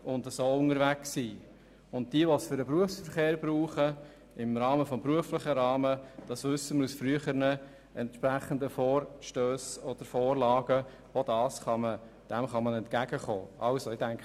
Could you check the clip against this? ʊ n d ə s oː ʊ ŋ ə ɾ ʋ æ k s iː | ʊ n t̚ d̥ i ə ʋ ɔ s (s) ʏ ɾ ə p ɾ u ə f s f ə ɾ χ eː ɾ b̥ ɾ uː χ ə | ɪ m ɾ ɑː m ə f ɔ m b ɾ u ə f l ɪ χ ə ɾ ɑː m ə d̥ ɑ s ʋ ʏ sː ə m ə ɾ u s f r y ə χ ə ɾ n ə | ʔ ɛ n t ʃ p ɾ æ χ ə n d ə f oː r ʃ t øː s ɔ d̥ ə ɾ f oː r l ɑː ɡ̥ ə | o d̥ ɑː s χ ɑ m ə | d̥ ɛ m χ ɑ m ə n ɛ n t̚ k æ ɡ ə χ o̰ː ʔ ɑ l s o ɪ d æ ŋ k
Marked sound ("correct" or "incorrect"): incorrect